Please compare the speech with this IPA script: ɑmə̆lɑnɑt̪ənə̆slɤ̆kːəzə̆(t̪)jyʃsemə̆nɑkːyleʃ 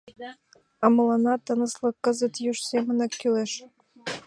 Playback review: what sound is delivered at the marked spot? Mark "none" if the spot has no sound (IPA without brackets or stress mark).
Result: t̪